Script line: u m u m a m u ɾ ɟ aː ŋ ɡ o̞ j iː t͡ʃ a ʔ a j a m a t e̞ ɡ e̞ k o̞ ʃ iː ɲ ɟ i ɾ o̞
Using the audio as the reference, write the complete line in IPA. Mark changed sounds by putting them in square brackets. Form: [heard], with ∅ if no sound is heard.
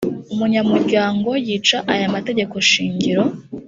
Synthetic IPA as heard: u m u [ɲ] a m u ɾ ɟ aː ŋ ɡ o̞ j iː t͡ʃ a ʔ a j a m a t e̞ [ɟ] e̞ k o̞ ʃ iː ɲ ɟ i ɾ o̞